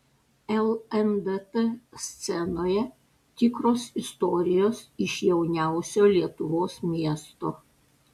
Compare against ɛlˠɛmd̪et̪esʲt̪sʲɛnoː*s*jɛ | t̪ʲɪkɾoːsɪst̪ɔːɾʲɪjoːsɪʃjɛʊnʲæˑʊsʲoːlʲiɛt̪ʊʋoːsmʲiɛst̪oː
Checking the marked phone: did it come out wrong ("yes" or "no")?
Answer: yes